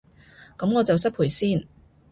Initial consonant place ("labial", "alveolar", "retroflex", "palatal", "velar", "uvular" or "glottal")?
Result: velar